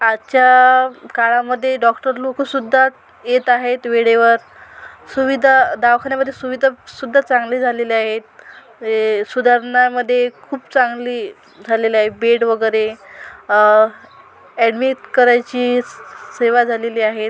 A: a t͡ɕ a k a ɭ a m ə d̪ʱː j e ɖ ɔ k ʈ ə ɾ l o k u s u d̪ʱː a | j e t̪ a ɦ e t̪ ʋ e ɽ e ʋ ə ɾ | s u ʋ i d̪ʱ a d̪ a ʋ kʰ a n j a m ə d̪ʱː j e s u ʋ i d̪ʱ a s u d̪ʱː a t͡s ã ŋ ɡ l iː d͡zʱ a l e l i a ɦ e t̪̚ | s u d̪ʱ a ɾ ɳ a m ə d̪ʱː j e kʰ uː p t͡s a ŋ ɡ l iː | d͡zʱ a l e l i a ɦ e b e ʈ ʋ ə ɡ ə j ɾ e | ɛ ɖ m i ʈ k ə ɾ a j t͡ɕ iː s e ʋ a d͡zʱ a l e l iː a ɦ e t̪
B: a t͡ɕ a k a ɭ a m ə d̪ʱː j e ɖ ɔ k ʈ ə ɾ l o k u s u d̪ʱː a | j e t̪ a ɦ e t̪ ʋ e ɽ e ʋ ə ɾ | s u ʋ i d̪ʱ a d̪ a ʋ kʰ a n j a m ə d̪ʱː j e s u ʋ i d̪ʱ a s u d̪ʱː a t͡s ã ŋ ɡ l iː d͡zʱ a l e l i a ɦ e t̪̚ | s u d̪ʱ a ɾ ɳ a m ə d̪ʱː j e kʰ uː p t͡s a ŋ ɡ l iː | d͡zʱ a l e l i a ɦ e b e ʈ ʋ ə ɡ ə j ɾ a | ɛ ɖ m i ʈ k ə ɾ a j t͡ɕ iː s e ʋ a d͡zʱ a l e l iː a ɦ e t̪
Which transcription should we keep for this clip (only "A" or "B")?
A